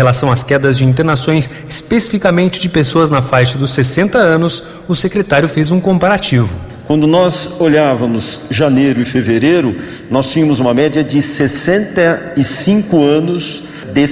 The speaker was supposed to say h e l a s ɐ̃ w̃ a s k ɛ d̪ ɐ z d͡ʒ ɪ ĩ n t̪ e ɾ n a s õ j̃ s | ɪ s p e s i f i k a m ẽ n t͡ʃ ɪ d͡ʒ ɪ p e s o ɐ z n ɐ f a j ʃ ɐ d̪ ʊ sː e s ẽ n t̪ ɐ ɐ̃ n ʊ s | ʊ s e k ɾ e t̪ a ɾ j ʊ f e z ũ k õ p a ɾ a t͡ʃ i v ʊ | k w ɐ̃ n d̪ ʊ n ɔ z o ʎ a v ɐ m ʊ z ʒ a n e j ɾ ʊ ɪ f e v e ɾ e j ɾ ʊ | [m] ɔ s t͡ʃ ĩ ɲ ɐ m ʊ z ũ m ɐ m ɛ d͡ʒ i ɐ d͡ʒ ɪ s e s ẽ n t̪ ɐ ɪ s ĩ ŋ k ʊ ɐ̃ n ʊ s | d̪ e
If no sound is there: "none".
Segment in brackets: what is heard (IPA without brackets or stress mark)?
n